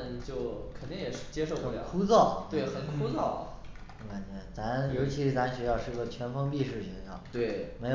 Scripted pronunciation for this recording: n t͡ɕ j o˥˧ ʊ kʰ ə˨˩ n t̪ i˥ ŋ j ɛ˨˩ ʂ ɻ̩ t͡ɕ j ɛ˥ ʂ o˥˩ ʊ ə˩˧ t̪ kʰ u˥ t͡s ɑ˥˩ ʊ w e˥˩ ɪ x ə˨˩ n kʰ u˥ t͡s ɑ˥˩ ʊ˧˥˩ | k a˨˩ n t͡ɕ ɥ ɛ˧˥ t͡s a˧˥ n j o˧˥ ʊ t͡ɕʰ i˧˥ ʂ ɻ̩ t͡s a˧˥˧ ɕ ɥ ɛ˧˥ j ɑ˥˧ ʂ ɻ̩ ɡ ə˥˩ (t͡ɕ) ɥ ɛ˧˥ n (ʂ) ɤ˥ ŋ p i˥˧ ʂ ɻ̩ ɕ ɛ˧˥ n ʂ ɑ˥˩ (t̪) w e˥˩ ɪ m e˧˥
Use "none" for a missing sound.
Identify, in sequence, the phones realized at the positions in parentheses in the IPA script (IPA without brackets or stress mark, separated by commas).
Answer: t͡ɕʰ, f, t̪